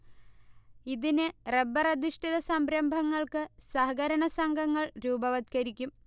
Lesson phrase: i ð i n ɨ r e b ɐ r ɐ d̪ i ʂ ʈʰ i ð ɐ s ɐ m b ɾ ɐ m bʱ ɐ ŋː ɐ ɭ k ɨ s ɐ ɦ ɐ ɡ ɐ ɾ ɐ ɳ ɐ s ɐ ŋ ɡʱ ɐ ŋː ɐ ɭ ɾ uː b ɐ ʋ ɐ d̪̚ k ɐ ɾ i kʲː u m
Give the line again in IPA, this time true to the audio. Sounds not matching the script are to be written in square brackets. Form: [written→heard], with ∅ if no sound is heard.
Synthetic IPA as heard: i ð i n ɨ r e b ɐ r ɐ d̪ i ʂ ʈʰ i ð ɐ s ɐ m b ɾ ɐ m bʱ ɐ ŋː ɐ ɭ k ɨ s ɐ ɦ ɐ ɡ ɐ ɾ ɐ ɳ ɐ s ɐ ŋ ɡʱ ɐ ŋː ɐ ɭ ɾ uː b ɐ ʋ ɐ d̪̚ k ɐ ɾ i kʲː u m